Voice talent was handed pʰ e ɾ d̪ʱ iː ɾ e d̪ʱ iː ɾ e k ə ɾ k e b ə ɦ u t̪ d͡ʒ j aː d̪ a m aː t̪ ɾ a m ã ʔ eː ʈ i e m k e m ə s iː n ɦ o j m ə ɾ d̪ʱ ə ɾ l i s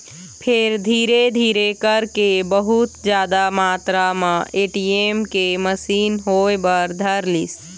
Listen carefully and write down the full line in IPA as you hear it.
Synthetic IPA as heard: pʰ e ɾ d̪ʱ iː ɾ e d̪ʱ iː ɾ e k ə ɾ k e b ə ɦ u t̪ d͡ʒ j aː d̪ a m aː t̪ ɾ a m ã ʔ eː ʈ i e m k e m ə s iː n ɦ o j b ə ɾ d̪ʱ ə ɾ l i s

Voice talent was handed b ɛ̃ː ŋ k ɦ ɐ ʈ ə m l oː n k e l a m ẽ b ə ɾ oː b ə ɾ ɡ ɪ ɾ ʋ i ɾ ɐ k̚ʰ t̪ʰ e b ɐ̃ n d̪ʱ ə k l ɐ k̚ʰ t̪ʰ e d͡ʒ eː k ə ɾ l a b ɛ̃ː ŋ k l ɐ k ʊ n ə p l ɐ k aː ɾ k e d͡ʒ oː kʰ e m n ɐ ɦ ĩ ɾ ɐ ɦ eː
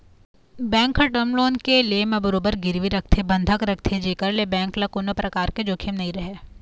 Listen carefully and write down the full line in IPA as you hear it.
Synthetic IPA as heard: b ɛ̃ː ŋ k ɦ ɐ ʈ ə m l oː n k e l e m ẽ b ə ɾ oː b ə ɾ ɡ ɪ ɾ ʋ i ɾ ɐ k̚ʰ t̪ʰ e b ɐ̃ n d̪ʱ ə k ɾ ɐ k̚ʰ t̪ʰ e d͡ʒ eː k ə ɾ l e b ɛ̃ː ŋ k l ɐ k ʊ n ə p ɾ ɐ k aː ɾ k e d͡ʒ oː kʰ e m n ɐ ɦ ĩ ɾ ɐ ɦ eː

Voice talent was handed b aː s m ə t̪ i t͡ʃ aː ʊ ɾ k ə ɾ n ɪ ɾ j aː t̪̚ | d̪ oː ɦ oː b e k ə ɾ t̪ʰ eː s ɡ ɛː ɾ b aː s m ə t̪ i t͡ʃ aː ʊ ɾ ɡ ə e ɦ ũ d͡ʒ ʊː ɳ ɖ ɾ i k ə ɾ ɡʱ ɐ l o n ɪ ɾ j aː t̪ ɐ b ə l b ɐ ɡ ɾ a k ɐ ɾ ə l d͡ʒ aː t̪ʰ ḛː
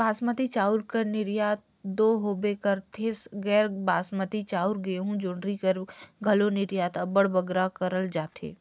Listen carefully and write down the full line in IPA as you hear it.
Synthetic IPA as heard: b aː s m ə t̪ i t͡ʃ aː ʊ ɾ k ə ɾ n ɪ ɾ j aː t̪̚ | d̪ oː ɦ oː b e k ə ɾ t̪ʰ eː s ɡ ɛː ɾ b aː s m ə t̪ i t͡ʃ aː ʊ ɾ ɡ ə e ɦ ũ d͡ʒ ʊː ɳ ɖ ɾ i k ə ɾ ɡʱ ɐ l o n ɪ ɾ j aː t̪ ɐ b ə ɽ b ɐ ɡ ɾ a k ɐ ɾ ə l d͡ʒ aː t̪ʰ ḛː

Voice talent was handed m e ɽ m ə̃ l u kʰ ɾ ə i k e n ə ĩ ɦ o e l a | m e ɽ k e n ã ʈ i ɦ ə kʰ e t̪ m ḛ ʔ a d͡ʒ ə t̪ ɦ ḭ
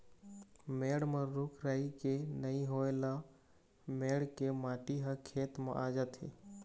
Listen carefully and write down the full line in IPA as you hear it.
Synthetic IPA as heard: m e ɽ m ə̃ ɾ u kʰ ɾ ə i k e n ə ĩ ɦ o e l a | m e ɽ k e m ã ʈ i ɦ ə kʰ e t̪ m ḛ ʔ a d͡ʒ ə t̪ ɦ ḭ

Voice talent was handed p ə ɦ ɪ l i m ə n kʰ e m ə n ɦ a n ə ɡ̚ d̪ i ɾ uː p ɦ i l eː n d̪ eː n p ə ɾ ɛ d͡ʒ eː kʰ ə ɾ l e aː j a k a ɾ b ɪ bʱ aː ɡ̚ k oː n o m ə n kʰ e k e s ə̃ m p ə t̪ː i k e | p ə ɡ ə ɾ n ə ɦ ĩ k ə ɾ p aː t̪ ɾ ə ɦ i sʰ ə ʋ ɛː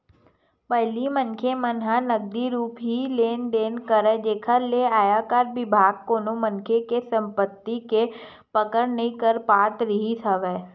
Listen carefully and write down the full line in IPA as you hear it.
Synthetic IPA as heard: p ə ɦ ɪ l i m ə n kʰ e m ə n ɦ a n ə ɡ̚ d̪ i ɾ uː p ɦ i l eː n d̪ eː n k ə ɾ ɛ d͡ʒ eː kʰ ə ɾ l e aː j a k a ɾ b ɪ bʱ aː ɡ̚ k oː n o m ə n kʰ e k e s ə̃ m p ə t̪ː i k e | p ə k ə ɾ n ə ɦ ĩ k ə ɾ p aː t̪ ɾ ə ɦ i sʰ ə ʋ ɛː

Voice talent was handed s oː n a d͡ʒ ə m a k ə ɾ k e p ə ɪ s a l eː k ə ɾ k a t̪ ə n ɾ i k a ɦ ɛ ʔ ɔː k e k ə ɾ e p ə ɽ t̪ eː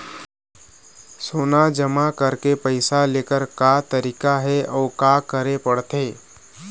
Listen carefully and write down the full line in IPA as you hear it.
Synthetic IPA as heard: s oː n a d͡ʒ ə m a k ə ɾ k e p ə ɪ s a l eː k ə ɾ k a t̪ ə ɾ i k a ɦ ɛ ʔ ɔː k a k ə ɾ e p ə ɽ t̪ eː

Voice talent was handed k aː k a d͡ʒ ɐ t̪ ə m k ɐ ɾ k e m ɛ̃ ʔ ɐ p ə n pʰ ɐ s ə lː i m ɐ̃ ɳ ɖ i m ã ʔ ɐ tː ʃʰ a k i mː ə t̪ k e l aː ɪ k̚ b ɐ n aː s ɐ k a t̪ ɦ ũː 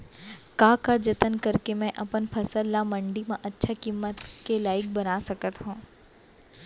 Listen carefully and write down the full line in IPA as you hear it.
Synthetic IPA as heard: k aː k a d͡ʒ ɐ t̪ ə n k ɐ ɾ k e m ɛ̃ ʔ ɐ p ə n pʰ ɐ s ə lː a m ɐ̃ ɳ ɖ i m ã ʔ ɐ tː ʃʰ a k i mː ə t̪ k e l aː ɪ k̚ b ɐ n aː s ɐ k ə t̪ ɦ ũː

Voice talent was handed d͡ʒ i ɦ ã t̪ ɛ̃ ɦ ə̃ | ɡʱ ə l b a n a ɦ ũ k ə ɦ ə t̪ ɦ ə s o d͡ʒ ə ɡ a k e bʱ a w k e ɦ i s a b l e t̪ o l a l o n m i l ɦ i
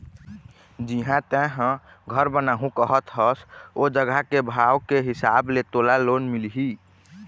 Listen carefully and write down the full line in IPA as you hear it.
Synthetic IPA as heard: d͡ʒ i ɦ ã t̪ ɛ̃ ɦ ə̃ | ɡʱ ə ɾ b ə n a ɦ ũ k ə ɦ ə t̪ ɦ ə s o d͡ʒ ə ɡ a k e bʱ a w k e ɦ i s a b l e t̪ o l a l o n m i l ɦ i

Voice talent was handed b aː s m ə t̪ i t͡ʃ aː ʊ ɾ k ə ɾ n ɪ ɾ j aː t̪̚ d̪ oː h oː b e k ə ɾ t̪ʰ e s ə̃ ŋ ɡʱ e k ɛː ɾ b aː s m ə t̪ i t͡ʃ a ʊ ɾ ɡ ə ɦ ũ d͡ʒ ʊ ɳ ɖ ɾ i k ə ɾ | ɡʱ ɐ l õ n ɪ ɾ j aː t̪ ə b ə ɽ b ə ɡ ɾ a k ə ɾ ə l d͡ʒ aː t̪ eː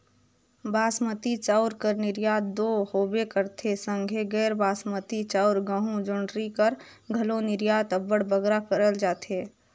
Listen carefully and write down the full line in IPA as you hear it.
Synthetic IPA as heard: b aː s m ə t̪ i t͡ʃ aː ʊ ɾ k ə ɾ n ɪ ɾ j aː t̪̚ d̪ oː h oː b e k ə ɾ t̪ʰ e s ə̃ ŋ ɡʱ e ɡ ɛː ɾ b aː s m ə t̪ i t͡ʃ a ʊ ɾ ɡ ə ɦ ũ d͡ʒ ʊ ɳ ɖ ɾ i k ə ɾ | ɡʱ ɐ l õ n ɪ ɾ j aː t̪ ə b ə ɽ b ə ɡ ɾ a k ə ɾ ə l d͡ʒ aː t̪ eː

